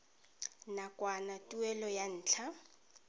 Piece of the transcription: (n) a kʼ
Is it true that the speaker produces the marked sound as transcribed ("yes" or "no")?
yes